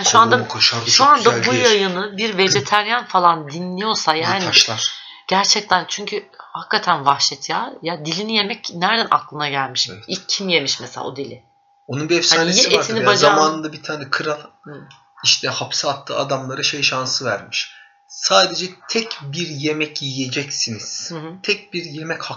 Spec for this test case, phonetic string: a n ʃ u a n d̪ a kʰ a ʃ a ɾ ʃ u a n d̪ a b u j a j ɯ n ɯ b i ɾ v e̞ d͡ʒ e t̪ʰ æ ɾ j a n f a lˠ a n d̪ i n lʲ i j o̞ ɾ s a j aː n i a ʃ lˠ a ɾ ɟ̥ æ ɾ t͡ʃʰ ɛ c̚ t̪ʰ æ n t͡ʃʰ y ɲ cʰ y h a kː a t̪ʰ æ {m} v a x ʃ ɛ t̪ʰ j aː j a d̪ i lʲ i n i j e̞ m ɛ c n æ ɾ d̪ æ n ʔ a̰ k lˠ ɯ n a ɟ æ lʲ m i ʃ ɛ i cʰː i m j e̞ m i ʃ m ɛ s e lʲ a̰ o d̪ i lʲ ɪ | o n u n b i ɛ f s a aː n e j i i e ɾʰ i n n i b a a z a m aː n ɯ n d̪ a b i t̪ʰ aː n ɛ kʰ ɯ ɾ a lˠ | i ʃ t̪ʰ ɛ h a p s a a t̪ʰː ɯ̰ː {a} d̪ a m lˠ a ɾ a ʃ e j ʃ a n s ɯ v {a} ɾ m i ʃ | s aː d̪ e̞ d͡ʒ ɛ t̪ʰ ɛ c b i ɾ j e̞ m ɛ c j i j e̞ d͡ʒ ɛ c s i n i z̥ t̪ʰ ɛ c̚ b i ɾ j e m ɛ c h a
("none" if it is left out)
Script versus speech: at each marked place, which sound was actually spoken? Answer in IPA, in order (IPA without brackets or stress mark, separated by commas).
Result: n, a, æ